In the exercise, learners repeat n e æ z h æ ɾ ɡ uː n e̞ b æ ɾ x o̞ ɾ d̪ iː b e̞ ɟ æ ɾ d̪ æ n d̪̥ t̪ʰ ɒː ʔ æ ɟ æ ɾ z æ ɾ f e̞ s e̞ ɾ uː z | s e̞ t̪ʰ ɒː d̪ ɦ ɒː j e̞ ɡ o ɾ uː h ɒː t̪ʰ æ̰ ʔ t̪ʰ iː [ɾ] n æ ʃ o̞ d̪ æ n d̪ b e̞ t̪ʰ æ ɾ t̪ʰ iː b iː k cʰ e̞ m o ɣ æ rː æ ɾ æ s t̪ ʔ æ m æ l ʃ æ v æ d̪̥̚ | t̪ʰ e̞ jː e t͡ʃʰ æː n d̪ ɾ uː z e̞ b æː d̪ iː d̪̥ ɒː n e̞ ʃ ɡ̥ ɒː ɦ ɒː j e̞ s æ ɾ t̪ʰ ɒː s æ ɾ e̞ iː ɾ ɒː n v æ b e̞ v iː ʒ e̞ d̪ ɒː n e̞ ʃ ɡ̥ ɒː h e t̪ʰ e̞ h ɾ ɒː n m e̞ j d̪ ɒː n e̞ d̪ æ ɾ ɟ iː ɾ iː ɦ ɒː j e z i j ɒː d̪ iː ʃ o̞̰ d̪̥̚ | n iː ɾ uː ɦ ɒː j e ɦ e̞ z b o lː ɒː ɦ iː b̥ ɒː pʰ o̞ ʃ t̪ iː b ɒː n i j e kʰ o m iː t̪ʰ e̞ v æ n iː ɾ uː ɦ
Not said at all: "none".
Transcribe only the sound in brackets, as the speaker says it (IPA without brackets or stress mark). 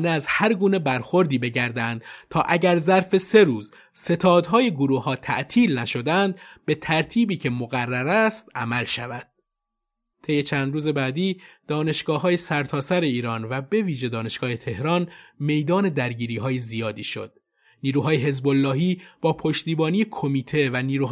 l